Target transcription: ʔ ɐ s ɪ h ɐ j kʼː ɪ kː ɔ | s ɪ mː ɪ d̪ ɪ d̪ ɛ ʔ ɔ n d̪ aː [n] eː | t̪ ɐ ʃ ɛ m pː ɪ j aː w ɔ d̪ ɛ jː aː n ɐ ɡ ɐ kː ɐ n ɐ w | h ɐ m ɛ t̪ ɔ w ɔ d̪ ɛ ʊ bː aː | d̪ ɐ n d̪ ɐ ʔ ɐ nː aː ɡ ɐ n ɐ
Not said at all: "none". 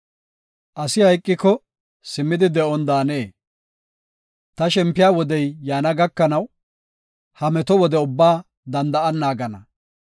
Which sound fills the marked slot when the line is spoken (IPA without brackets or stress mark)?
n